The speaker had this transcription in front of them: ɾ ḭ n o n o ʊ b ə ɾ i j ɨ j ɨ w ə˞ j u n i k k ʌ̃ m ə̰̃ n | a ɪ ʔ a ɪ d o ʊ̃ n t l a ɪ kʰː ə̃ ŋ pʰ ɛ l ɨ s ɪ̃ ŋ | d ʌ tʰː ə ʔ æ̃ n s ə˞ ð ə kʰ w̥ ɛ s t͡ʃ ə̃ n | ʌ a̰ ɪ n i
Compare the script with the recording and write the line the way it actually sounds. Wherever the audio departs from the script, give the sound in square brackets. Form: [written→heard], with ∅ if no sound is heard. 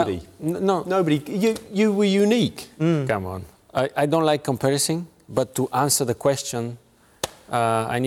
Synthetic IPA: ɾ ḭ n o n o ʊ b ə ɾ i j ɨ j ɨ w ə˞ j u n i k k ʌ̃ m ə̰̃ n | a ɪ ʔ a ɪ d [o→õ] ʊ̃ n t l a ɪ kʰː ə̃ [ŋ→m] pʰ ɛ [l→ɹ] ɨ s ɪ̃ ŋ | [d→b] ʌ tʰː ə ʔ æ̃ n s ə˞ ð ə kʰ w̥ ɛ s t͡ʃ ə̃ n | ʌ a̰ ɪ n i